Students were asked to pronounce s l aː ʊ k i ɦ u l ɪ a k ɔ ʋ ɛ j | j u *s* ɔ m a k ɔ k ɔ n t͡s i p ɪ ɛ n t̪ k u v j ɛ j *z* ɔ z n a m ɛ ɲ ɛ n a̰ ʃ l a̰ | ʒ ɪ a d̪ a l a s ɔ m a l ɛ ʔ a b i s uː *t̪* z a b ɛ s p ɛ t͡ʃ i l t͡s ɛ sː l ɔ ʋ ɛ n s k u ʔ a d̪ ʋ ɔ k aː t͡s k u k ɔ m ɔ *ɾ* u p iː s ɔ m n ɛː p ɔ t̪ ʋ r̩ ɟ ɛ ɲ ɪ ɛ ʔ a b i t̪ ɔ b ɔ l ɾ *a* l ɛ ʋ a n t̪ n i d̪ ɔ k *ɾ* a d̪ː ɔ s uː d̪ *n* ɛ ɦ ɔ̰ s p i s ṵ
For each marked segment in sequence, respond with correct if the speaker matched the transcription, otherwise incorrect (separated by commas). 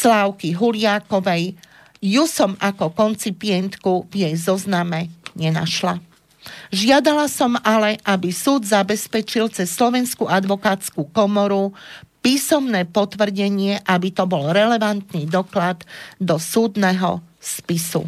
correct, correct, incorrect, correct, incorrect, incorrect, correct